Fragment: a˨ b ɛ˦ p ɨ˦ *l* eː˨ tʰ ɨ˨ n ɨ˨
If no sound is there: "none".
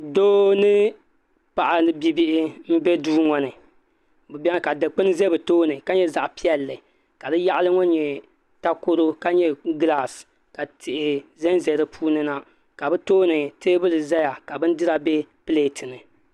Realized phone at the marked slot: l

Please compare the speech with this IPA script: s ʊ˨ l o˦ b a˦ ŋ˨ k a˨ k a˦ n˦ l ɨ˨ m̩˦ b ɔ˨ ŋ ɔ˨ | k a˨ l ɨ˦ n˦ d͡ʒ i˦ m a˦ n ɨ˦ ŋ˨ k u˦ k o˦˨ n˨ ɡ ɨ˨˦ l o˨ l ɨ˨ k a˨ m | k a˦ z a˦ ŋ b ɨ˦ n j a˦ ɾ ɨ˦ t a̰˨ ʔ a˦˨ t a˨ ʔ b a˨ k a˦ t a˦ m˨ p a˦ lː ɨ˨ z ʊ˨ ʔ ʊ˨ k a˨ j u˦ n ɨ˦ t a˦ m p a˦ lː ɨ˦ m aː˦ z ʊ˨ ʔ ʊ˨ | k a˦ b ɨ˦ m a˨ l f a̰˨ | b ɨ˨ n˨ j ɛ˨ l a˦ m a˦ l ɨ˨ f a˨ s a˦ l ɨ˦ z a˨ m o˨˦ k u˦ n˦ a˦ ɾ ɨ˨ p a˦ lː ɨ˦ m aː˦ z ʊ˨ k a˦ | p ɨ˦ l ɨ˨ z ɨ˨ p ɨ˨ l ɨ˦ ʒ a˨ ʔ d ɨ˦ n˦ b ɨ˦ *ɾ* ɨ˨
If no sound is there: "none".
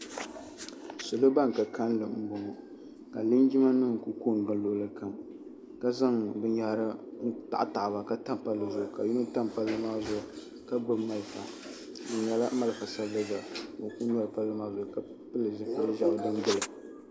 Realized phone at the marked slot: l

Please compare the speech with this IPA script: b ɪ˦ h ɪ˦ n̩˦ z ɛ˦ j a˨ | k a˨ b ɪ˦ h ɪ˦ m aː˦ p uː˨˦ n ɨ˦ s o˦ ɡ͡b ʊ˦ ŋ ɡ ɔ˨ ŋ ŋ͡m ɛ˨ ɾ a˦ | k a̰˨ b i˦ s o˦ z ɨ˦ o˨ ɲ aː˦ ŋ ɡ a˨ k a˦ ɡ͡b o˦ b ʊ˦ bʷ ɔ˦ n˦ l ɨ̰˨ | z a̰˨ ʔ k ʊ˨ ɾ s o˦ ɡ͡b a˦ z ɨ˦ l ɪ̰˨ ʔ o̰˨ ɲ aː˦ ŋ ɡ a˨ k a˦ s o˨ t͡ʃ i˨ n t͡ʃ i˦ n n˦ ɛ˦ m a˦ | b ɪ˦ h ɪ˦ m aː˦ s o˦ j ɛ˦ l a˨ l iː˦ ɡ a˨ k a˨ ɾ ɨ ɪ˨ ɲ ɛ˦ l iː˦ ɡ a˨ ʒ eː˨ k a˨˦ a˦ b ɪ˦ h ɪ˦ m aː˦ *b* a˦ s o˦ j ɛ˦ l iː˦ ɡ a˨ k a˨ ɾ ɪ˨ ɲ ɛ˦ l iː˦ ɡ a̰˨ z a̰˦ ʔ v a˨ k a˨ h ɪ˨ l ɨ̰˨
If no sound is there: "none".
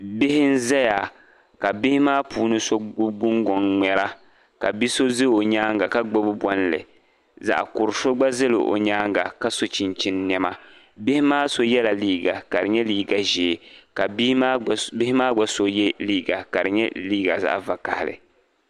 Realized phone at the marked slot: ɡ͡b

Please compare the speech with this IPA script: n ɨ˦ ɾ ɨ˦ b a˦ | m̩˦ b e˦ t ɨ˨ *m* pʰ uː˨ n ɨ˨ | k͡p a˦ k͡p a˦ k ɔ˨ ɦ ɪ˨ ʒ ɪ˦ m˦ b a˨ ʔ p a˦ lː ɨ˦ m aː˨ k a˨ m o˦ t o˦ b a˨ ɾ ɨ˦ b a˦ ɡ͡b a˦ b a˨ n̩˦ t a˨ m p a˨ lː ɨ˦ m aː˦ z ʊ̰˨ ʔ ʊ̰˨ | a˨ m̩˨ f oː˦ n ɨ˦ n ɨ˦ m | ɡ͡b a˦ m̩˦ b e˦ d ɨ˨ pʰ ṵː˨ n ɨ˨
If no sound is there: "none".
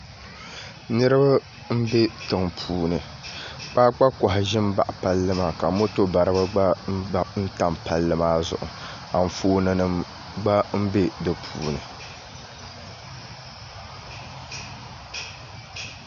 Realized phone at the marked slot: ŋ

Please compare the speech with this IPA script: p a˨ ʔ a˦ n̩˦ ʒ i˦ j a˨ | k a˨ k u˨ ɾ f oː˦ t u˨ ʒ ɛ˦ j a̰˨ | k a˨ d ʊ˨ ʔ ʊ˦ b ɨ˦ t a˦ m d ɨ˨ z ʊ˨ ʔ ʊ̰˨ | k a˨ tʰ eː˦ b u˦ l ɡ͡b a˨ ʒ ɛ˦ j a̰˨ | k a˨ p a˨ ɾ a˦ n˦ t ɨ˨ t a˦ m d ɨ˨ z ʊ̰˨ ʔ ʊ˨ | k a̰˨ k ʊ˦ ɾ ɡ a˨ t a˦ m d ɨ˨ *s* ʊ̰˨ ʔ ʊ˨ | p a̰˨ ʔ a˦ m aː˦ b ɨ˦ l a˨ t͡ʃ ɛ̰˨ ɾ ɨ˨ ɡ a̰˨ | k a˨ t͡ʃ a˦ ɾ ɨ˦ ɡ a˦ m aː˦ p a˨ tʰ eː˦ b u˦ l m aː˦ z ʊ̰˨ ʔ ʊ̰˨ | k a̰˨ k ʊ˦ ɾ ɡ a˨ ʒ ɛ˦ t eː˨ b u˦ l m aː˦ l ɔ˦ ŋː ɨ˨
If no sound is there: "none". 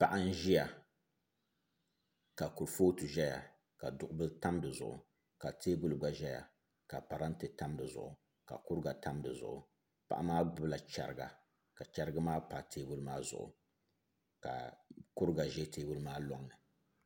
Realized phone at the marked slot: z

